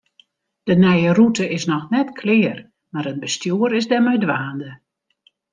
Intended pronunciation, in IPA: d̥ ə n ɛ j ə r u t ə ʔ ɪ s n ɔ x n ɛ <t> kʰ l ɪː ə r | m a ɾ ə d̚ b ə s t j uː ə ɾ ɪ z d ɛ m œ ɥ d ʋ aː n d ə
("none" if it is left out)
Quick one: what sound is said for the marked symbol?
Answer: t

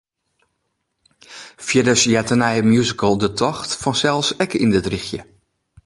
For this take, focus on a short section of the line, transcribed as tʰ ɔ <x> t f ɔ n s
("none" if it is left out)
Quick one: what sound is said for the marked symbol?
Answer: x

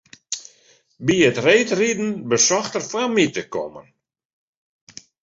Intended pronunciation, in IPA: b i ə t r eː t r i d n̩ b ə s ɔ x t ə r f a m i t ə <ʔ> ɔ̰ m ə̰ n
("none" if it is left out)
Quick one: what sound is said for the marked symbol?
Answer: k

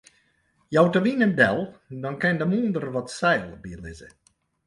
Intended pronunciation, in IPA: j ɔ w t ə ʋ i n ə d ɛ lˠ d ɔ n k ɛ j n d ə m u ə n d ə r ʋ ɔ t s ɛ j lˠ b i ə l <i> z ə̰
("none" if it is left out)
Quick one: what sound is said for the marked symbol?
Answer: ɪ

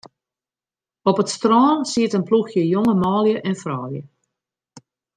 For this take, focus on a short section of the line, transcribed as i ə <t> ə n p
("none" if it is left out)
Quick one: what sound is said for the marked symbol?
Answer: t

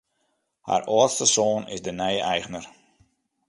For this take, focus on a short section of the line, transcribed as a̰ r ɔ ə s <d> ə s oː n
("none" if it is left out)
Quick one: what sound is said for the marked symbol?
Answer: t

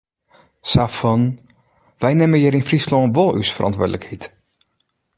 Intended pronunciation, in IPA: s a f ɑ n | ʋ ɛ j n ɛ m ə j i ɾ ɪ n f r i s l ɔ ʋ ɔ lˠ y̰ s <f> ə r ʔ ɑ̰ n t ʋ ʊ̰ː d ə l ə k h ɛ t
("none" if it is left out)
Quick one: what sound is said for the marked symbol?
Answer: f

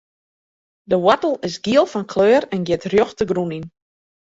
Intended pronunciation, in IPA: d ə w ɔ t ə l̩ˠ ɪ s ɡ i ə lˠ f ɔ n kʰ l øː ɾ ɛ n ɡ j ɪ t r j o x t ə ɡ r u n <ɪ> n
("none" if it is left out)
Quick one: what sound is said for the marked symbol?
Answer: i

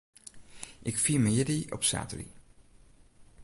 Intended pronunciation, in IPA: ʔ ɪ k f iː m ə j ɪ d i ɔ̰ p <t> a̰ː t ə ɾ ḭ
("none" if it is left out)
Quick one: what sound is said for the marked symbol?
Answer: s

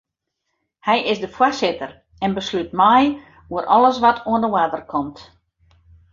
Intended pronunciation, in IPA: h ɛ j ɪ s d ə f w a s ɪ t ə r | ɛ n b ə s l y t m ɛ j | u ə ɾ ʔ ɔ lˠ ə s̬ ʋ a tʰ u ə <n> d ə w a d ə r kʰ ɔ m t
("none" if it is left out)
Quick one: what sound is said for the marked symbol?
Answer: n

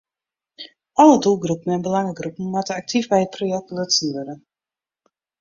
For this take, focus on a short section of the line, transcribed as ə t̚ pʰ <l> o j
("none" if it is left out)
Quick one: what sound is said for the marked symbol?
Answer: r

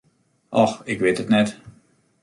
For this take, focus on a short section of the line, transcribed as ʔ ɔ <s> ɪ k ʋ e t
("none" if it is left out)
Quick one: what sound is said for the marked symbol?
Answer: x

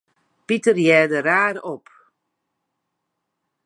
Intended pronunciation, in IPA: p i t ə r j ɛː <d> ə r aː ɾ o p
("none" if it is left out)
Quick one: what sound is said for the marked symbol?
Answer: d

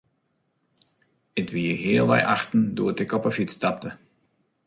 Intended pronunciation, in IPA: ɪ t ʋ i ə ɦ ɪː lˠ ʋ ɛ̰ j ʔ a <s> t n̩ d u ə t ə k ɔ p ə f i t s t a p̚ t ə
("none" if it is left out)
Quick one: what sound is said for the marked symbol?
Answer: x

